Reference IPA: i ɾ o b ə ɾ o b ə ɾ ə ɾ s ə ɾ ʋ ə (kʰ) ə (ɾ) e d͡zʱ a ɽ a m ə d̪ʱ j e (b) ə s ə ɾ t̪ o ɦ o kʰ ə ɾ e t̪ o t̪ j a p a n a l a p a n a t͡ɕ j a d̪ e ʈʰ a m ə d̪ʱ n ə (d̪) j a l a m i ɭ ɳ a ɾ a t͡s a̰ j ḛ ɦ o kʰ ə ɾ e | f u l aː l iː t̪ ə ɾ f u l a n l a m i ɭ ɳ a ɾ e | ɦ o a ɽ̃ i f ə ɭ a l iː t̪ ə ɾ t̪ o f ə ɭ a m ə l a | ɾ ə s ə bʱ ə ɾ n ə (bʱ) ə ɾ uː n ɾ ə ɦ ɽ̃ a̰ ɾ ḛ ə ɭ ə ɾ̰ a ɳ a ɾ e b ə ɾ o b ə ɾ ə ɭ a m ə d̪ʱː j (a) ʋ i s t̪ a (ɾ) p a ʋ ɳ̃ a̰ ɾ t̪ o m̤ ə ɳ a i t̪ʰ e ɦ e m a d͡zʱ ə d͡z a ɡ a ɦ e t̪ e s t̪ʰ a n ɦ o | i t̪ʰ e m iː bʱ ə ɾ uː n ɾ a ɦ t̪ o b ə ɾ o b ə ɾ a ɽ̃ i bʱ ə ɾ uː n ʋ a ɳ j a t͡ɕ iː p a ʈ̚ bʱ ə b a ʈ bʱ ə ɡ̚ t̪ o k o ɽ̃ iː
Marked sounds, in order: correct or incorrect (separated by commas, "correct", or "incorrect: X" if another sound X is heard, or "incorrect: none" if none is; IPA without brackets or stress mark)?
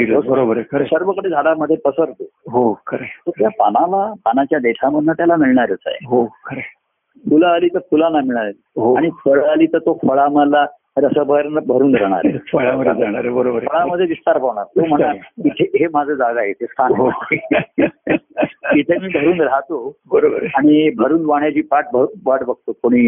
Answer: incorrect: k, incorrect: ɽ, incorrect: p, incorrect: t̪, correct, incorrect: e, correct